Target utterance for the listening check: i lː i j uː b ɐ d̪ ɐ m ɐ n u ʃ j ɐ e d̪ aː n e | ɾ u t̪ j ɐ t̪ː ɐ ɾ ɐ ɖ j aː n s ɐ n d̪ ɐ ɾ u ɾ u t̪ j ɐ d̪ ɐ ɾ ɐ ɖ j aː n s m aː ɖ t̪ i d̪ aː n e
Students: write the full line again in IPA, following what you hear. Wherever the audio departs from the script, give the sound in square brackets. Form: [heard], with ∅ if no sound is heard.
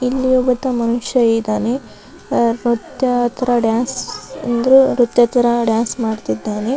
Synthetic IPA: i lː i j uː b ɐ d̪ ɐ m ɐ n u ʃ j ɐ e d̪ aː n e | ɾ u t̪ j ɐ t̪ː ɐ ɾ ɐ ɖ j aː n s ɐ n d̪ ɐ ɾ u ɾ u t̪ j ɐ [t̪] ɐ ɾ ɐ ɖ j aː n s m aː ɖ t̪ i [d̪ː] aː n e